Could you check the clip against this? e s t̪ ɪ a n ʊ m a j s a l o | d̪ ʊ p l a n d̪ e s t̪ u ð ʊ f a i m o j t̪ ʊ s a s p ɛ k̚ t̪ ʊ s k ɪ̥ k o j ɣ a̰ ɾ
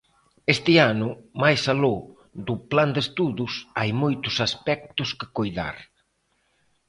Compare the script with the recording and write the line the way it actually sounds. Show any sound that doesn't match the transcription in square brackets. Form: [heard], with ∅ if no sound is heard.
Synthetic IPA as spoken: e s t̪ ɪ a n ʊ m a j s a l o | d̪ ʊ p l a n d̪ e s t̪ u ð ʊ [s] a [j] m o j t̪ ʊ s a s p ɛ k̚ t̪ ʊ s k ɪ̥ k o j [ð] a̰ ɾ